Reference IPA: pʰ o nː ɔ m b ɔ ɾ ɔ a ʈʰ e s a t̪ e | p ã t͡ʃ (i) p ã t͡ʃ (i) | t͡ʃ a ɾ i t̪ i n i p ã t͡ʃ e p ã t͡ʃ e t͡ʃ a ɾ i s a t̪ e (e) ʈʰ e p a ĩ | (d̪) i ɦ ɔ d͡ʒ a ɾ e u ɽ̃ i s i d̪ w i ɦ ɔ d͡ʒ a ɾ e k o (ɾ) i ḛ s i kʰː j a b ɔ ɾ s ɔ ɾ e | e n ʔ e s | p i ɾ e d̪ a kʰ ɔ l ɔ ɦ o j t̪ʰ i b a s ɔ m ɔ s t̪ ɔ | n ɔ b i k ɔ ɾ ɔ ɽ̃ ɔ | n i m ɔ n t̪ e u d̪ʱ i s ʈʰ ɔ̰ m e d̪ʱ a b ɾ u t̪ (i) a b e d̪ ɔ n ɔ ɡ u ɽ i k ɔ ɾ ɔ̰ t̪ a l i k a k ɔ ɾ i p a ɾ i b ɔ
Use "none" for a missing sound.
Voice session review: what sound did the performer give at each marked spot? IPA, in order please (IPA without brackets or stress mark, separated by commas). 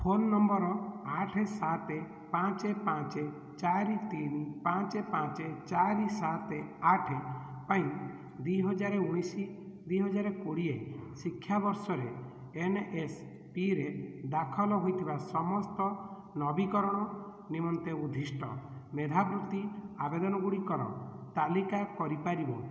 e, e, a, d̪, ɽ, i